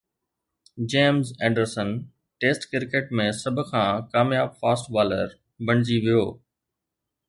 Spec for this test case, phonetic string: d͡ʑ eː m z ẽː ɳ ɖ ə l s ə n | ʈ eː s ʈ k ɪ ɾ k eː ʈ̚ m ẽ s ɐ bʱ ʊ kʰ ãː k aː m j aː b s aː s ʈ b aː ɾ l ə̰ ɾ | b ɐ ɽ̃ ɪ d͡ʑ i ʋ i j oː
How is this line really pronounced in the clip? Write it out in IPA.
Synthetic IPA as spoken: d͡ʑ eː m z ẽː ɳ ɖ ə ɾ s ə n | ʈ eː s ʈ k ɪ ɾ k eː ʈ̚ m ẽ s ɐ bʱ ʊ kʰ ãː k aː m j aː b f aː s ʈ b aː l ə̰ ɾ | b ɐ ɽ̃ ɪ d͡ʑ i ʋ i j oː